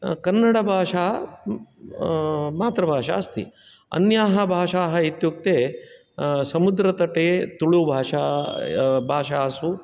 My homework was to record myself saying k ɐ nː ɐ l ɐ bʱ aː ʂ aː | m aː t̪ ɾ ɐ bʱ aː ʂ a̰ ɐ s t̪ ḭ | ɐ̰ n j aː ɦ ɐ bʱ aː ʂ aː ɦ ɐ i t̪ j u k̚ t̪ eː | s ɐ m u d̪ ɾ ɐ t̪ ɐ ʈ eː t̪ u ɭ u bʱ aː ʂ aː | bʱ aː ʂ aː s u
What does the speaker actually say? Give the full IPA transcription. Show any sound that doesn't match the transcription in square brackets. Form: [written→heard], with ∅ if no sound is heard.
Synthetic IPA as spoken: k ɐ nː ɐ [l→ɽ] ɐ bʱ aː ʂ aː | m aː t̪ ɾ ɐ bʱ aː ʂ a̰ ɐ s t̪ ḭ | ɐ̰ n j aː ɦ ɐ bʱ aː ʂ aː ɦ ɐ i t̪ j u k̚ t̪ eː | s ɐ m u d̪ ɾ ɐ t̪ ɐ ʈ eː t̪ u ɭ u bʱ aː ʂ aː | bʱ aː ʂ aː s u